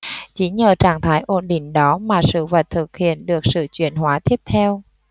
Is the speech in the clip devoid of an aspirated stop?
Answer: no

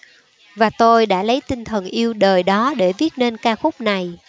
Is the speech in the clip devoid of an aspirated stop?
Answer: no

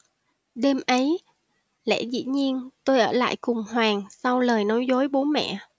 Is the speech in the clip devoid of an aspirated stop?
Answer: yes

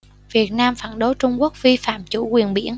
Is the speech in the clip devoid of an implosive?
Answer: no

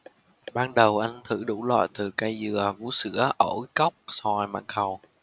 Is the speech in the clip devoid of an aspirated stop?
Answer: no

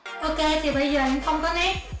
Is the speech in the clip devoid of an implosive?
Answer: no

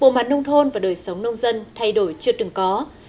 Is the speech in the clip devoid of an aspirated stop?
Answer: no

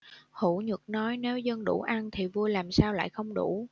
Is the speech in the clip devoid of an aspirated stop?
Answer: no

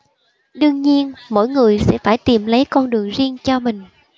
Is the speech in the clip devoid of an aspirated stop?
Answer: yes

